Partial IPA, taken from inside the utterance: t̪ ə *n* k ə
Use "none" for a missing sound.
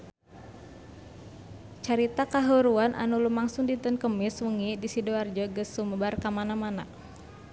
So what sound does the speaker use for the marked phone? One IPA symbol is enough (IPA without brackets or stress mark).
n